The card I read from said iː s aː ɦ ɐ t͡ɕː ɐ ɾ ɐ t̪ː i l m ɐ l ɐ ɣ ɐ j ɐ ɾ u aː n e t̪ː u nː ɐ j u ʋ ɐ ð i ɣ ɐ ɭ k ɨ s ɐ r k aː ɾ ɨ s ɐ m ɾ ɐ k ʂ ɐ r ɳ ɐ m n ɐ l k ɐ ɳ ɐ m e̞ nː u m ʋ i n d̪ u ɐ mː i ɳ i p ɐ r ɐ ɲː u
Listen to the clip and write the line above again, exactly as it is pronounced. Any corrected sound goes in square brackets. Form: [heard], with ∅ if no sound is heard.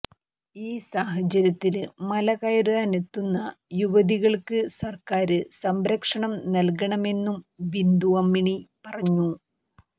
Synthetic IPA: iː s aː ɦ ɐ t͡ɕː ɐ ɾ ɐ t̪ː i l m ɐ l ɐ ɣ ɐ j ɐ ɾ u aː n e t̪ː u nː ɐ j u ʋ ɐ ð i ɣ ɐ ɭ k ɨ s ɐ r k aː ɾ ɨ s ɐ m ɾ ɐ k ʂ ɐ [∅] ɳ ɐ m n ɐ l k ɐ ɳ ɐ m e̞ nː u m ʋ i n d̪ u ɐ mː i ɳ i p ɐ r ɐ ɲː u